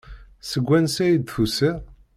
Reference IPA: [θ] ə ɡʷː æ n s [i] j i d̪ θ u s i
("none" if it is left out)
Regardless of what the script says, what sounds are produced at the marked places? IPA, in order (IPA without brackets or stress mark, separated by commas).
s, æ